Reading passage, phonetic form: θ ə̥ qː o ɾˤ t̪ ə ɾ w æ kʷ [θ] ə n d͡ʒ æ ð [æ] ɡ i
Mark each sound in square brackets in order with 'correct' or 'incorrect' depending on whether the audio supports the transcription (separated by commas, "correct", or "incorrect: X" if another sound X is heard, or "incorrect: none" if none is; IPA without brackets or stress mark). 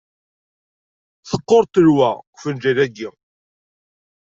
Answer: incorrect: f, correct